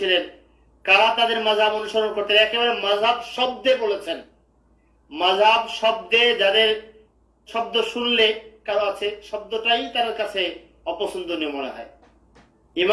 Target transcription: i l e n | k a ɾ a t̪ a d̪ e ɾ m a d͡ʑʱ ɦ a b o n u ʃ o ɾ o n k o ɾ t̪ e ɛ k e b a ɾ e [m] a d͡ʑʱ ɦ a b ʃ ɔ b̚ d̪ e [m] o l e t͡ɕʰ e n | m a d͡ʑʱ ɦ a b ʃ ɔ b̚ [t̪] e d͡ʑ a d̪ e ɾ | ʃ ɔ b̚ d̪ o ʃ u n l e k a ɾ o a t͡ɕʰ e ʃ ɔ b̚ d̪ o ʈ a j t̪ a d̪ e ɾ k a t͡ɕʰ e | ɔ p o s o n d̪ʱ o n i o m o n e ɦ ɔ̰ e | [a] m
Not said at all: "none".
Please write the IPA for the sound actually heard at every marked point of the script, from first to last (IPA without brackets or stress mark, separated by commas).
m, b, d̪, i